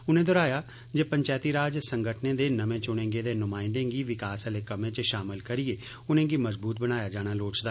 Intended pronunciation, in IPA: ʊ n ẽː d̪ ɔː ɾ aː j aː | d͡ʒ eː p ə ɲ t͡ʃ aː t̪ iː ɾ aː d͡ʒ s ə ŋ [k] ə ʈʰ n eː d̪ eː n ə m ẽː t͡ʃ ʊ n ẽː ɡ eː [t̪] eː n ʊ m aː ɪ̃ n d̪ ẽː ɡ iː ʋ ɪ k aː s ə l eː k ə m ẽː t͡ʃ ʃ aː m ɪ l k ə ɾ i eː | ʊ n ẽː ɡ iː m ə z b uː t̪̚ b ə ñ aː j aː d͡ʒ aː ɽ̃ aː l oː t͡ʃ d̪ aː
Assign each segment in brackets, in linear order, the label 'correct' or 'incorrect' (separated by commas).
incorrect, incorrect